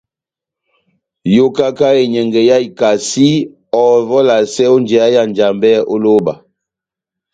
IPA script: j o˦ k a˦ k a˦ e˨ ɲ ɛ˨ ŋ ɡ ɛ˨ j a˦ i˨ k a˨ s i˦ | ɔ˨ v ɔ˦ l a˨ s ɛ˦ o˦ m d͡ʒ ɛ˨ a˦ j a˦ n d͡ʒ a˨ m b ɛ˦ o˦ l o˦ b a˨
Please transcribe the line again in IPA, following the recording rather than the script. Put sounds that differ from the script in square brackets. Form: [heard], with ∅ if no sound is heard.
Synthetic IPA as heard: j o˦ k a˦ k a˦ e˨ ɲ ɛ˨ ŋ ɡ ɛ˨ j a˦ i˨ k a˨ s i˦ | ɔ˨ v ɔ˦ l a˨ s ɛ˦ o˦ [n] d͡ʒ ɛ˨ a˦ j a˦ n d͡ʒ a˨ m b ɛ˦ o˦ l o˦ b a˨